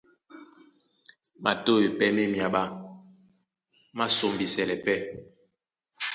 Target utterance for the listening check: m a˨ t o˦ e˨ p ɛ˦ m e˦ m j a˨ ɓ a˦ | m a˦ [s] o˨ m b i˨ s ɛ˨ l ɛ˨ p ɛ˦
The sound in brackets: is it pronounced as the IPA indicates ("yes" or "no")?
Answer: yes